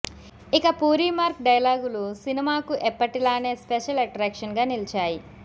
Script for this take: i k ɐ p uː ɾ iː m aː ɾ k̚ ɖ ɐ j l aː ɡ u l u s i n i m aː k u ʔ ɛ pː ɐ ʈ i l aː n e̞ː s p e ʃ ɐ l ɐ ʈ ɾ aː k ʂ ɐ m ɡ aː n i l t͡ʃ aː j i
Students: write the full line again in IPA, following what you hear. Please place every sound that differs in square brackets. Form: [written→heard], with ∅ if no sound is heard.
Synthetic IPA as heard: i k ɐ p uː ɾ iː m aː ɾ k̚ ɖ ɐ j l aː ɡ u l u s i n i m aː k u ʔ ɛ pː ɐ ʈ i l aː n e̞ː s p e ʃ ɐ l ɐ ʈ ɾ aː k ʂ ɐ [m→n] ɡ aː n i l t͡ʃ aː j i

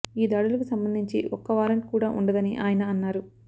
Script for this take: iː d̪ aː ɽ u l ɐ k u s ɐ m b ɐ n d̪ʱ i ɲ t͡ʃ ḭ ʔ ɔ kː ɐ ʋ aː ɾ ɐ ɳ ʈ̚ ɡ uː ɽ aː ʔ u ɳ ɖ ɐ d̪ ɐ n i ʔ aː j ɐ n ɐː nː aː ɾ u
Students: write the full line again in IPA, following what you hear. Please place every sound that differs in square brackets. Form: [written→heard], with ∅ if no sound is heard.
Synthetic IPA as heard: iː d̪ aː ɽ u l ɐ k u s ɐ m b ɐ n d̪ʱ i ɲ t͡ʃ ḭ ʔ ɔ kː ɐ ʋ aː ɾ ɐ ɳ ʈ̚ [ɡ→k] uː ɽ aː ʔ u ɳ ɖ ɐ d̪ ɐ n i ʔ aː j ɐ n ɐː nː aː ɾ u

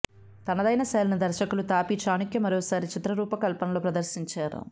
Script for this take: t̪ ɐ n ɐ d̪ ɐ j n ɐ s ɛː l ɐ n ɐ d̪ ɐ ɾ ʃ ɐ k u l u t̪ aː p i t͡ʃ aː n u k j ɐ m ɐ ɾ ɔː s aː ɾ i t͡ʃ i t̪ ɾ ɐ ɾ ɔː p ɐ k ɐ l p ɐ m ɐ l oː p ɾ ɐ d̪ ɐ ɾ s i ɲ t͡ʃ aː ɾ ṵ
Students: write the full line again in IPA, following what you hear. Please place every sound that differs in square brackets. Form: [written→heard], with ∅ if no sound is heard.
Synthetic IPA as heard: t̪ ɐ n ɐ d̪ ɐ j n ɐ s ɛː l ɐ n ɐ d̪ ɐ ɾ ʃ ɐ k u l u t̪ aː p i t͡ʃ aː n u k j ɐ m ɐ ɾ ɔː s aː ɾ i t͡ʃ i t̪ ɾ ɐ ɾ [ɔː→uː] p ɐ k ɐ l p ɐ [m→n] ɐ l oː p ɾ ɐ d̪ ɐ ɾ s i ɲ t͡ʃ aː ɾ ṵ

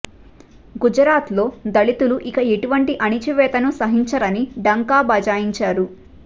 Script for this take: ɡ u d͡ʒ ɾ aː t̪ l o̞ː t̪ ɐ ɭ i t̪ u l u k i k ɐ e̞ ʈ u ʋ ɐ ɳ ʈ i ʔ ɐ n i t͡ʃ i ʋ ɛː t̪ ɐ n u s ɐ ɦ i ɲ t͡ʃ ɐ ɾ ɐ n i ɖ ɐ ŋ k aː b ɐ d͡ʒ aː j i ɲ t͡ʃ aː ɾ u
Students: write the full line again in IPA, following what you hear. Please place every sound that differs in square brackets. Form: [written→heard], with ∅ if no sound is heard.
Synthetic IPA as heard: ɡ u d͡ʒ ɾ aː t̪ l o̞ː [t̪→d̪] ɐ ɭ i t̪ u l u [k→ʔ] i k ɐ e̞ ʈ u ʋ ɐ ɳ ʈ i ʔ ɐ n i t͡ʃ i ʋ ɛː t̪ ɐ n u s ɐ ɦ i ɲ t͡ʃ ɐ ɾ ɐ n i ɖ ɐ ŋ k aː b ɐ d͡ʒ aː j i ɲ t͡ʃ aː ɾ u

